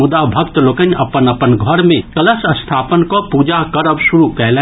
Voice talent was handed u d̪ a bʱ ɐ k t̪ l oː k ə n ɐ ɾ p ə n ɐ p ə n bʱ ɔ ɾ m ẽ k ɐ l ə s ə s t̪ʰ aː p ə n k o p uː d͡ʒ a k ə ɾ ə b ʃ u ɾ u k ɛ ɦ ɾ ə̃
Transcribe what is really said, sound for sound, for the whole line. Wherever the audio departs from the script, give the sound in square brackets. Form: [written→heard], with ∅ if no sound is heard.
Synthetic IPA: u d̪ a bʱ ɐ k t̪ l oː k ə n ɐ [ɾ→∅] p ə n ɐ p ə n [bʱ→ɡʱ] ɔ ɾ m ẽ k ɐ l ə s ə s t̪ʰ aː p ə n k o p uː d͡ʒ a k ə ɾ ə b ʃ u ɾ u k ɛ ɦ [ɾ→l] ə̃